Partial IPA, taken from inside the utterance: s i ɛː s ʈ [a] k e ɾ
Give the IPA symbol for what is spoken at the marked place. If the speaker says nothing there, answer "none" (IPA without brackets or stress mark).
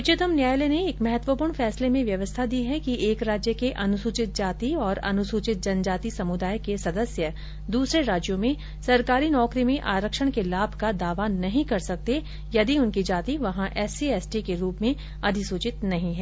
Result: i